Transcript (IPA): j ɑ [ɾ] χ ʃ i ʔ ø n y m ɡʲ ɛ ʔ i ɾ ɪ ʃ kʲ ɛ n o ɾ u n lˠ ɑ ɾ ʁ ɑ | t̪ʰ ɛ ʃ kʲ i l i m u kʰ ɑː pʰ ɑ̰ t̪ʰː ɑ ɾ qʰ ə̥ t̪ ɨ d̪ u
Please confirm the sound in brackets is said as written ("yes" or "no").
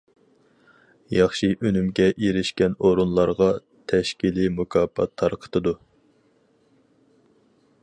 no